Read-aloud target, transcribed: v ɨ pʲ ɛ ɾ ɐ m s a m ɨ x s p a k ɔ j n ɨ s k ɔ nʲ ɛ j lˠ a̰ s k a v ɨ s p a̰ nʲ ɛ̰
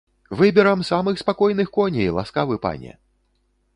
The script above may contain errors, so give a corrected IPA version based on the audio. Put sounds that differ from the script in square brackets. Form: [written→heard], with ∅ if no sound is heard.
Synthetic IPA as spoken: v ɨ [pʲ→bʲ] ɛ ɾ ɐ m s a m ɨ x s p a k ɔ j n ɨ [s→x] k ɔ nʲ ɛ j lˠ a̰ s k a v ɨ [s→∅] p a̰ nʲ ɛ̰